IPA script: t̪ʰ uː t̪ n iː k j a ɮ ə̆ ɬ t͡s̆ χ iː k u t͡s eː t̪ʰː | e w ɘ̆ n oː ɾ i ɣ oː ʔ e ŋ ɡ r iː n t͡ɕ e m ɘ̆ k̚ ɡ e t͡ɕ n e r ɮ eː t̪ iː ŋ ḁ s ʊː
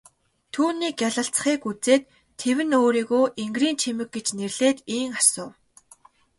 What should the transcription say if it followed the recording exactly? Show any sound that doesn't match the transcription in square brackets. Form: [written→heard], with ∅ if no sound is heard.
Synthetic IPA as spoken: t̪ʰ uː [t̪→∅] n iː k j a ɮ ə̆ ɬ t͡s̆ χ iː k u t͡s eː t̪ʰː | e w ɘ̆ n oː ɾ [i→iː] ɣ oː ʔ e ŋ ɡ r iː n [t͡ɕ→t͡ɕʰ] e m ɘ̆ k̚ ɡ e t͡ɕ n e r ɮ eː t̪ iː ŋ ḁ s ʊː